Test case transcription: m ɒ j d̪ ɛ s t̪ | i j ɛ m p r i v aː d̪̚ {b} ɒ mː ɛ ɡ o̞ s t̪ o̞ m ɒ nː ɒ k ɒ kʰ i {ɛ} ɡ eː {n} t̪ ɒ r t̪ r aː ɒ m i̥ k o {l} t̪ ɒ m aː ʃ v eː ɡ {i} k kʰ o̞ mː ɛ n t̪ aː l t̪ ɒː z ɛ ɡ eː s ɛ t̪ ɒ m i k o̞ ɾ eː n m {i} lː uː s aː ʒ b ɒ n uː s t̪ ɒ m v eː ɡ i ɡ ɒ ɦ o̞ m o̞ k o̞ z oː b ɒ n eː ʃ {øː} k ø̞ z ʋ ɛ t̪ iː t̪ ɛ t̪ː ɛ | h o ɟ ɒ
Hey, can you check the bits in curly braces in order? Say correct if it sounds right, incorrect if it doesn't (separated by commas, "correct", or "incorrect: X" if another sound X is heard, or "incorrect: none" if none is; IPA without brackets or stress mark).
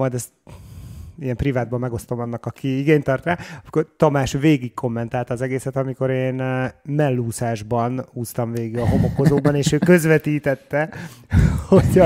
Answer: correct, incorrect: i, incorrect: ɲ, incorrect: r, correct, incorrect: ɛ, correct